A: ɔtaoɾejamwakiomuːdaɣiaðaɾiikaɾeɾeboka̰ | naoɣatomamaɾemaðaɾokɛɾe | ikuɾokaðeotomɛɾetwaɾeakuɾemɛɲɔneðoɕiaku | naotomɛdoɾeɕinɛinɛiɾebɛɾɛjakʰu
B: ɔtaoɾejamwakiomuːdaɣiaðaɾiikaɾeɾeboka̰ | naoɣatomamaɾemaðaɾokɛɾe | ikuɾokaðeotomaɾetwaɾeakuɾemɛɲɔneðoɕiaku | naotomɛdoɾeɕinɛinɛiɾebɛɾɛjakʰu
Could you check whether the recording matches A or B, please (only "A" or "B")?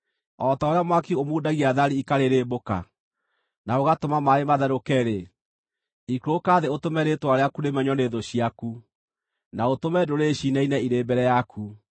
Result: A